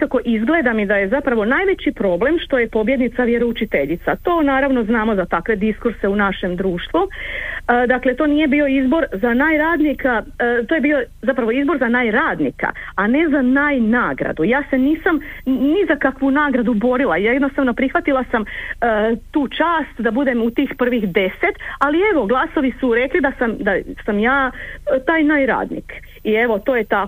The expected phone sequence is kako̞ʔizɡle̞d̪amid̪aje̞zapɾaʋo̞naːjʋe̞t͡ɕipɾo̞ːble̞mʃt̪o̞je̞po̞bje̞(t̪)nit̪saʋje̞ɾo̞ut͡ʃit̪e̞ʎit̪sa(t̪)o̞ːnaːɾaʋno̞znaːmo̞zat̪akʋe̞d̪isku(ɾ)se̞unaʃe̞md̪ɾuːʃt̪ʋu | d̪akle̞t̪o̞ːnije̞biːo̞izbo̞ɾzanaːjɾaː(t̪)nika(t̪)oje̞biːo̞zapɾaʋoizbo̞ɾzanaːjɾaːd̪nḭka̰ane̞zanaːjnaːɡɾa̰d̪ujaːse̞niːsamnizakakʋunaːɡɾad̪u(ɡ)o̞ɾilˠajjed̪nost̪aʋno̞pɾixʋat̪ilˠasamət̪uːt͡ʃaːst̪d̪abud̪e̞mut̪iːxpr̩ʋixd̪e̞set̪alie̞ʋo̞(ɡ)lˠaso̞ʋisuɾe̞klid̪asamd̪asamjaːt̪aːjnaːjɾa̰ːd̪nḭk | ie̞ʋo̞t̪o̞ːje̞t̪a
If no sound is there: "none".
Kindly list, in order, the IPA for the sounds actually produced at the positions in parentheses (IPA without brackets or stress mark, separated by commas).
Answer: d̪, t̪, ɾ, d̪, t̪, b, ɡ